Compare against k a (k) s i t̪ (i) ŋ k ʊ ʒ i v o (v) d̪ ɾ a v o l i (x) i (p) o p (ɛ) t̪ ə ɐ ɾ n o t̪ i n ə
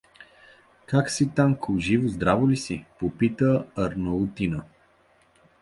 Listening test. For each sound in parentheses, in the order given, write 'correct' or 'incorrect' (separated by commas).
correct, incorrect, incorrect, incorrect, correct, incorrect